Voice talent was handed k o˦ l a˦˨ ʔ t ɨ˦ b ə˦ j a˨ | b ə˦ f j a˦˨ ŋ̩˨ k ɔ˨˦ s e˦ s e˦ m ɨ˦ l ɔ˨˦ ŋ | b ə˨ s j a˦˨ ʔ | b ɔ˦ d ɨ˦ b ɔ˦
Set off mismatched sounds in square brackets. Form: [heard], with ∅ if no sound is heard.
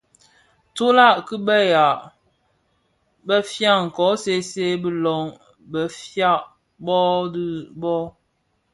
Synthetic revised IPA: [t] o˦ l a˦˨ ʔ [k] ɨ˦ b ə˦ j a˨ | b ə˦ f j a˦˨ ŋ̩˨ k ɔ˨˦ s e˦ s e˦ [b] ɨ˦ l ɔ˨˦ ŋ | b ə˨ [f] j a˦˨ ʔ | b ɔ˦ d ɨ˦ b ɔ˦